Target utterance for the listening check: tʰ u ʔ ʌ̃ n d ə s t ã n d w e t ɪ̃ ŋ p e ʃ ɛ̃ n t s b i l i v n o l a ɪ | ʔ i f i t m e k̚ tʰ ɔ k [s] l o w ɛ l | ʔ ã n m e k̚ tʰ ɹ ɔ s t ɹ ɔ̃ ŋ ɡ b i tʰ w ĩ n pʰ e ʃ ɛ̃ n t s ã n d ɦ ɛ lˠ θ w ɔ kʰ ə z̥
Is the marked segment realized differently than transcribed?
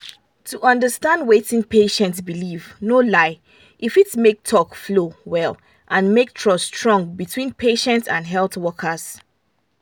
yes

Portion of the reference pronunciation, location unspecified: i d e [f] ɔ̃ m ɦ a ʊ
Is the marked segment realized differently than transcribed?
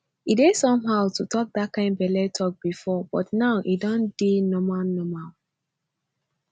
yes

